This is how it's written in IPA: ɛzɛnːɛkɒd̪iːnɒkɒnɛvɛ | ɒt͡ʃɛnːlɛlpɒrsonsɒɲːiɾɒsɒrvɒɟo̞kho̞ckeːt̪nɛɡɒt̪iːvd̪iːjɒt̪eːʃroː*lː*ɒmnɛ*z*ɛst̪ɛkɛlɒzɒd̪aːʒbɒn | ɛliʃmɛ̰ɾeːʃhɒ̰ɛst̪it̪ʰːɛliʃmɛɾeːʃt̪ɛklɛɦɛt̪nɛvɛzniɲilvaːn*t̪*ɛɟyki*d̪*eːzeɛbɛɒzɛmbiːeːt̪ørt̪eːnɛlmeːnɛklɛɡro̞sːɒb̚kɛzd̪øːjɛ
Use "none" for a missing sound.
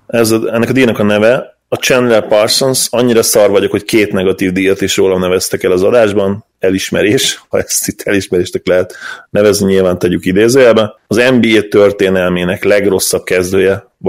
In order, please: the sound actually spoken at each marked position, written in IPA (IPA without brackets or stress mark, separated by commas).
l, v, t̪, d̪